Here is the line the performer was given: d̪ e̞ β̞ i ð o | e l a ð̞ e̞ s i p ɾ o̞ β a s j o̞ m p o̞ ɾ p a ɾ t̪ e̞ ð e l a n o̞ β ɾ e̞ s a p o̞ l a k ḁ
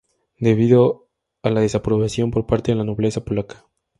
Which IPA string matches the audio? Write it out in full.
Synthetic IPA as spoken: d̪ e̞ β̞ i ð o | a l a ð̞ e̞ s a p ɾ o̞ β a s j o̞ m p o̞ ɾ p a ɾ t̪ e̞ ð e l a n o̞ β l e̞ s a p o̞ l a k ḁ